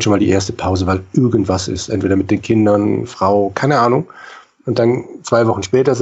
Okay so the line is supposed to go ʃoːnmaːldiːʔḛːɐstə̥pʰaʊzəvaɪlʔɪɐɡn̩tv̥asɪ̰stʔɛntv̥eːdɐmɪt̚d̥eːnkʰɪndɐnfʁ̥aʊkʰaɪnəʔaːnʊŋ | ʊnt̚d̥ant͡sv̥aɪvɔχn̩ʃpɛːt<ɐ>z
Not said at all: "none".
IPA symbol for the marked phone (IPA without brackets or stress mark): ɐ